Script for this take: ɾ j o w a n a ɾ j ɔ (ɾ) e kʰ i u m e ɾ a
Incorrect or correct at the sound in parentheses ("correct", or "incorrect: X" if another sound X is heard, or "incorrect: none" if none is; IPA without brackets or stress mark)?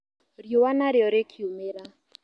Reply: correct